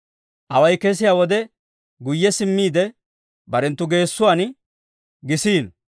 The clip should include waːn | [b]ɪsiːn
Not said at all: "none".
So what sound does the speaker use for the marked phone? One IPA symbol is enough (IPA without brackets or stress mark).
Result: ɡ